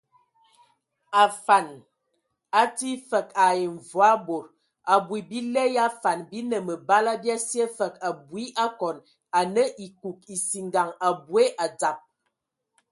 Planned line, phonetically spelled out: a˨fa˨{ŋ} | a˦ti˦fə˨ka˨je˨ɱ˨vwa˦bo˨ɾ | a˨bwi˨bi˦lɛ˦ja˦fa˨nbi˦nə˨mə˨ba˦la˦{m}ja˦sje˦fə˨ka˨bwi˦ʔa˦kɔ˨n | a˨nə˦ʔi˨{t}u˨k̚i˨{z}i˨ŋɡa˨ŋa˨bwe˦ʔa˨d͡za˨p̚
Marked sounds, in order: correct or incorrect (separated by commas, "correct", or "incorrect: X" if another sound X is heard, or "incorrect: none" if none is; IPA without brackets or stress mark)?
incorrect: n, incorrect: b, incorrect: k, incorrect: s